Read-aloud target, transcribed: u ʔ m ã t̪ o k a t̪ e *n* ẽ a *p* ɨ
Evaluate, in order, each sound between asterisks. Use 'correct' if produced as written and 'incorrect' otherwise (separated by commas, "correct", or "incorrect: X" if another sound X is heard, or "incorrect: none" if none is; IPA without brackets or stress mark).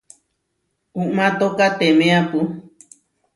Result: incorrect: m, correct